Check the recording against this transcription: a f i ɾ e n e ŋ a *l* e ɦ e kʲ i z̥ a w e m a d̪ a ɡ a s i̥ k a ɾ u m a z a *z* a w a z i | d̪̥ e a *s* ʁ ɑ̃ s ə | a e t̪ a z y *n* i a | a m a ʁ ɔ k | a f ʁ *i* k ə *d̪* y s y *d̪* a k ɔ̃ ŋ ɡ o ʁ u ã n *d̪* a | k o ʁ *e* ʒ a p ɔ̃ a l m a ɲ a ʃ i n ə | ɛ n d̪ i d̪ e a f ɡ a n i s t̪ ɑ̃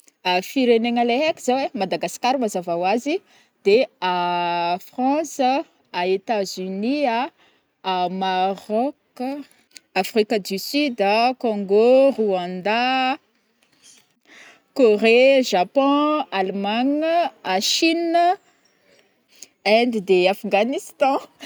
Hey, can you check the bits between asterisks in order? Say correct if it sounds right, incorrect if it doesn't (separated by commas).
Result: correct, incorrect, incorrect, correct, correct, correct, correct, correct, correct